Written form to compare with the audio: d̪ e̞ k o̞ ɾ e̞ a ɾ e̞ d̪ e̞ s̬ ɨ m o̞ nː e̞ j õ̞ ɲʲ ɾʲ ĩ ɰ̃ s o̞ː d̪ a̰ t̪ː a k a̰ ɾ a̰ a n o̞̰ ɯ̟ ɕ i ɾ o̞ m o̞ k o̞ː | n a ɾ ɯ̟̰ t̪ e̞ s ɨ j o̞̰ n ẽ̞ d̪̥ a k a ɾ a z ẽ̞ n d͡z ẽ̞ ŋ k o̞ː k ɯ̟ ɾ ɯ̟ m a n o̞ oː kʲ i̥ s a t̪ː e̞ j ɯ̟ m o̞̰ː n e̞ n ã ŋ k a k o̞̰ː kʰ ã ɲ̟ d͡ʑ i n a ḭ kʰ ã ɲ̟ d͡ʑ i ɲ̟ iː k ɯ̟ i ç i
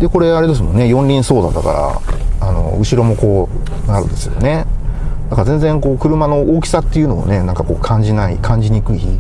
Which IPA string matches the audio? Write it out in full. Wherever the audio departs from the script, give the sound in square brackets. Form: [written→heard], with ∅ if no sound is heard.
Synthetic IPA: d̪ e̞ k o̞ ɾ e̞ a ɾ e̞ d̪ e̞ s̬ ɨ m o̞ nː e̞ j õ̞ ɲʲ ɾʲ ĩ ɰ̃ s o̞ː d̪ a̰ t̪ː a k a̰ ɾ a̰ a n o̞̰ ɯ̟ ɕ i ɾ o̞ m o̞ k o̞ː | n a ɾ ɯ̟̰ [t̪→d̪] e̞ s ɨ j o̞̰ n [ẽ̞→e̞] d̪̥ a k a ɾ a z ẽ̞ n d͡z ẽ̞ ŋ k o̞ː k ɯ̟ ɾ ɯ̟ m a n o̞ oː kʲ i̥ s a t̪ː e̞ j ɯ̟ [m→n] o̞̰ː n e̞ n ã ŋ k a k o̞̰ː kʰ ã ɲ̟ d͡ʑ i n a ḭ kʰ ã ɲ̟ d͡ʑ i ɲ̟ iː k ɯ̟ i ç i